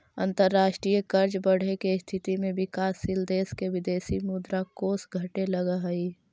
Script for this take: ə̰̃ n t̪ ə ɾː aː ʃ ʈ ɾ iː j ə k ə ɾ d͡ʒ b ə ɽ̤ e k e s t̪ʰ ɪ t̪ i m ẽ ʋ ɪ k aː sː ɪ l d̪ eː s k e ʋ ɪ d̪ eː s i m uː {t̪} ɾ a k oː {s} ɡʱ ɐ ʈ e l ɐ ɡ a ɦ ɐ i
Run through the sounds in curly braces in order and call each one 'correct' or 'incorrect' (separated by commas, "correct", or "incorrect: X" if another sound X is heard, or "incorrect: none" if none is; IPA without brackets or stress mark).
incorrect: d̪, correct